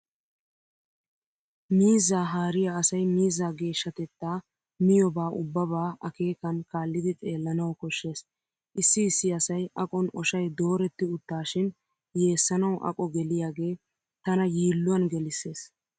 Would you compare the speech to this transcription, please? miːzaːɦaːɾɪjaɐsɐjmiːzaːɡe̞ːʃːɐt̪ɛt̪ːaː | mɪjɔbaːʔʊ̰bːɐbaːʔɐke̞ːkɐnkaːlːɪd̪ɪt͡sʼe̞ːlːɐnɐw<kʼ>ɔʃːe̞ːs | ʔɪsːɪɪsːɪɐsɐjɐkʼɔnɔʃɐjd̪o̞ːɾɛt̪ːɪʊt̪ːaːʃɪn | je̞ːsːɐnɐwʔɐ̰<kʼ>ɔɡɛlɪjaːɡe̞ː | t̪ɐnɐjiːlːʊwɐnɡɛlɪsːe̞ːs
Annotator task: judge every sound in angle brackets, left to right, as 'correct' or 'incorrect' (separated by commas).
incorrect, correct